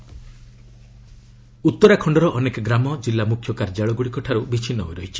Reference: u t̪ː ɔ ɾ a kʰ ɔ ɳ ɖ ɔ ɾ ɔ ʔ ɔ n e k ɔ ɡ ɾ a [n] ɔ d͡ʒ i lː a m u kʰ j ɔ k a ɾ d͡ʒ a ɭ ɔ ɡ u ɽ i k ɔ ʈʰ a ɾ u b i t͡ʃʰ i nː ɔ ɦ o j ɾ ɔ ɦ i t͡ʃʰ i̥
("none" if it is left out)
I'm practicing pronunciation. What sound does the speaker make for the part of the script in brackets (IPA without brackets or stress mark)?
m